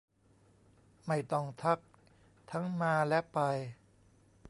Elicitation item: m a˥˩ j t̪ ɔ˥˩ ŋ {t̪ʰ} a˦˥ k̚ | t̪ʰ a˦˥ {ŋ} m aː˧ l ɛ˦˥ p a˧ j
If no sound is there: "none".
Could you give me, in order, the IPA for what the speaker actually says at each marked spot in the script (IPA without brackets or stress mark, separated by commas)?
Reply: t̪ʰ, ŋ